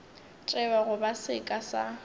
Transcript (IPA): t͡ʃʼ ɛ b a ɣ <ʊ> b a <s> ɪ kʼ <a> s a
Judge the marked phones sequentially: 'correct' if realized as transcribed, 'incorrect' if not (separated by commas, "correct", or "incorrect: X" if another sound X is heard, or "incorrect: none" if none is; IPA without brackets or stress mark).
correct, correct, correct